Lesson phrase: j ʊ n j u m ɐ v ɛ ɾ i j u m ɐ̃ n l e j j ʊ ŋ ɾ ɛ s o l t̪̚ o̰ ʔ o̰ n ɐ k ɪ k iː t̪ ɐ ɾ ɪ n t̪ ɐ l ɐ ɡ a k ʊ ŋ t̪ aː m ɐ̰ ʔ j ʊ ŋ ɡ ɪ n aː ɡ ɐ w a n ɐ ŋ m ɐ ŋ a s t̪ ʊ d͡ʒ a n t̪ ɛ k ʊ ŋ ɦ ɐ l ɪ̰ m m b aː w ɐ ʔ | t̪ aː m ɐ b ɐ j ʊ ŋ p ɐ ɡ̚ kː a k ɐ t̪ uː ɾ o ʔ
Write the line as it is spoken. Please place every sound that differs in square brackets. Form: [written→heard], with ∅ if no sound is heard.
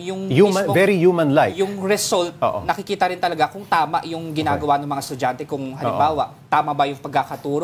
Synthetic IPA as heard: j ʊ [n→ŋ] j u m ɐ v ɛ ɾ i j u m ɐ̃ n l [e→a] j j ʊ ŋ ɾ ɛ s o l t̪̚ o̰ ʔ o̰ n ɐ k ɪ k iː t̪ ɐ ɾ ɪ n t̪ ɐ l ɐ ɡ a k ʊ ŋ t̪ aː m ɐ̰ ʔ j ʊ ŋ ɡ ɪ n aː ɡ ɐ w a n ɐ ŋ m ɐ ŋ a s t̪ ʊ d͡ʒ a n t̪ ɛ k ʊ ŋ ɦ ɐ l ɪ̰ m m b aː w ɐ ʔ | t̪ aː m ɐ b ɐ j ʊ ŋ p ɐ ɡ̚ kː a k ɐ t̪ uː ɾ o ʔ